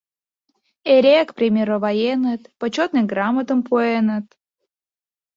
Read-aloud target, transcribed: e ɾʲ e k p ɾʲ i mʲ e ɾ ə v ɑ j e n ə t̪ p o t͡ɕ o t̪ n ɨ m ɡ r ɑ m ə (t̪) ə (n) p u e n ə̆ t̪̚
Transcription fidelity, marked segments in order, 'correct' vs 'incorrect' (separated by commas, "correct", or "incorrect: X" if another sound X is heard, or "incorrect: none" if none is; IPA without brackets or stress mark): correct, incorrect: m